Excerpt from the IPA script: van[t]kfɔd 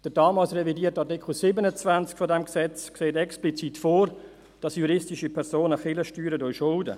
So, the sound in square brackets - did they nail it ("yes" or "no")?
no